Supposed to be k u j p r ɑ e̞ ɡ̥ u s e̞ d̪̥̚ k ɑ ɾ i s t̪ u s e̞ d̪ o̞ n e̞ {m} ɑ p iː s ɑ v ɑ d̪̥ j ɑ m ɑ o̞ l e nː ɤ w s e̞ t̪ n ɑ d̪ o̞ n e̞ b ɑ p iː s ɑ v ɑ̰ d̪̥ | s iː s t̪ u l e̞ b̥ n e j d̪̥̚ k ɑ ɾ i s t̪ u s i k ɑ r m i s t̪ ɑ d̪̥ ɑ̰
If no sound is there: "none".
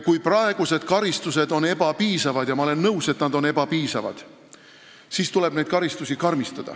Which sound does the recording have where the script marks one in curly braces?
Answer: b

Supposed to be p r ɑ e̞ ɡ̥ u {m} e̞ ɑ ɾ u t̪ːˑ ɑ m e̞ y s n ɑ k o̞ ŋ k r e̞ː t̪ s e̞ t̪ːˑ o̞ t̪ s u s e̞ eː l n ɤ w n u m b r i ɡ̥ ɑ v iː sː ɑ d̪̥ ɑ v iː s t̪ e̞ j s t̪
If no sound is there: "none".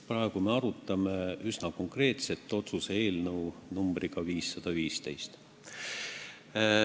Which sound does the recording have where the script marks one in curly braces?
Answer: m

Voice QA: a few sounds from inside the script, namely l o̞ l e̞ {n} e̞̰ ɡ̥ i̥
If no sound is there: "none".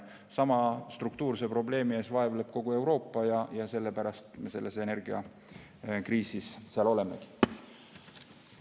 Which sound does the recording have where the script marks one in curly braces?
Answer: m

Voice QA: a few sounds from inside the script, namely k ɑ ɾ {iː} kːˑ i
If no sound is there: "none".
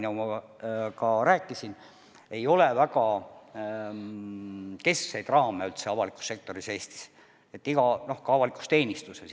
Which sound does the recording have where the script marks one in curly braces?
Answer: æː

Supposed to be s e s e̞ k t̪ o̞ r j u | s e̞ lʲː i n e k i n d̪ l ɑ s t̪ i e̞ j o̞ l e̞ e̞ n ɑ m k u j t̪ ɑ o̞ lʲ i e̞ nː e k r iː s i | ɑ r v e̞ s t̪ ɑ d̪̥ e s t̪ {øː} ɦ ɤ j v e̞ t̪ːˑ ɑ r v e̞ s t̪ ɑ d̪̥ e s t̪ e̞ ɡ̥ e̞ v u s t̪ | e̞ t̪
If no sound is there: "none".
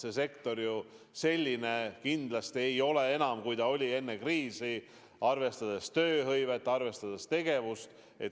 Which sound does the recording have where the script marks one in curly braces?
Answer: øː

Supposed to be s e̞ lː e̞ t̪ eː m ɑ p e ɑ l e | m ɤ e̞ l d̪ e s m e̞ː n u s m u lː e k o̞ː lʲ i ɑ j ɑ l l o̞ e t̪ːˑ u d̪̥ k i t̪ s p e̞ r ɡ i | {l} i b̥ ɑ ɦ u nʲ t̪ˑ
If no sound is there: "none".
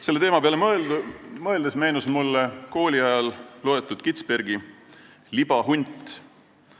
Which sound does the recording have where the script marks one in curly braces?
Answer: l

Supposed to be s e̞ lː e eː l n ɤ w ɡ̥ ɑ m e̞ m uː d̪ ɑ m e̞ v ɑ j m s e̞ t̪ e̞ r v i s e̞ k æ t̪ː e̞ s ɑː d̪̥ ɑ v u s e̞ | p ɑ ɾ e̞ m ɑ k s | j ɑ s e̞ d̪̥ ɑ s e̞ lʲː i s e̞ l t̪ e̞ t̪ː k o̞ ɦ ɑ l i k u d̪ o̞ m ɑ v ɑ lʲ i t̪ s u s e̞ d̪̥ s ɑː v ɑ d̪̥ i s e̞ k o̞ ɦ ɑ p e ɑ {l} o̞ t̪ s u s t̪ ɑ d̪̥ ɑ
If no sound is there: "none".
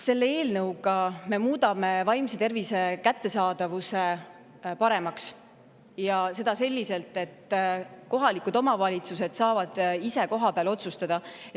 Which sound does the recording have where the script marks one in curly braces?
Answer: l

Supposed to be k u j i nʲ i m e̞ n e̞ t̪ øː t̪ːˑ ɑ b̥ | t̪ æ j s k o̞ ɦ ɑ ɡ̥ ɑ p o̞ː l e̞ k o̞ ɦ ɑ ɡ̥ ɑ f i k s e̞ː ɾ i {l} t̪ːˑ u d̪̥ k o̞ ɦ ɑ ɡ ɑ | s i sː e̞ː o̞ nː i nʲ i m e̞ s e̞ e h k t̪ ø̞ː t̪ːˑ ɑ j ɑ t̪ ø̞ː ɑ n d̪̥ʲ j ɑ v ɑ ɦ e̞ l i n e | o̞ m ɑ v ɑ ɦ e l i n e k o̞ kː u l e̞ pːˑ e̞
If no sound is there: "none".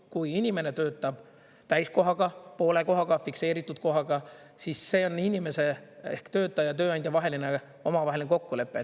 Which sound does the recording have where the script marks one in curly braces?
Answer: none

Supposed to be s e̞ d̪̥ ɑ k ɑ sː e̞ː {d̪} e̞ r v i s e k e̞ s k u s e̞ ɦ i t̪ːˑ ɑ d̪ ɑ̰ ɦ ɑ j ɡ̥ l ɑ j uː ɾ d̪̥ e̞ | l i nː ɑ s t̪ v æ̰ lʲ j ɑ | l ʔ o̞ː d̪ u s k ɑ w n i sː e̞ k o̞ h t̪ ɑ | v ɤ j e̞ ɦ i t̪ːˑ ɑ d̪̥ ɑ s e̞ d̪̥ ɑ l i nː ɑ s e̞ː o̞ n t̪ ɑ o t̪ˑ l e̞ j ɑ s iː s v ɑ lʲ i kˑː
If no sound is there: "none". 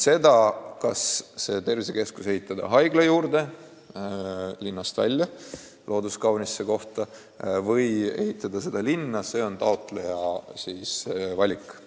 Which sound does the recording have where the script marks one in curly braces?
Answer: t̪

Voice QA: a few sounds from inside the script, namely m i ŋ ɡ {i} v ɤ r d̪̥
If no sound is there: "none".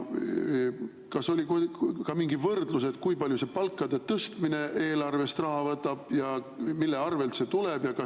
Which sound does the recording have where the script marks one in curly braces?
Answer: i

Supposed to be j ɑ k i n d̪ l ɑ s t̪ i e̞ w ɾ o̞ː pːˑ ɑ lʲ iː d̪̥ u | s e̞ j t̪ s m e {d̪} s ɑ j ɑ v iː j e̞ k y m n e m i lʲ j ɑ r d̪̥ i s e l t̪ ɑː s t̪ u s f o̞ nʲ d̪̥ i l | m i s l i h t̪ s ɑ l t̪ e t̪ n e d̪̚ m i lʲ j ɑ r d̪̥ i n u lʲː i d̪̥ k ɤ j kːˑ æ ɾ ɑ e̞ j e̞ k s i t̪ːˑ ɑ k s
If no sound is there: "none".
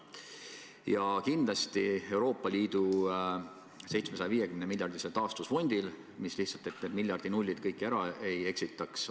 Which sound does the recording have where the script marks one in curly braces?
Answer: none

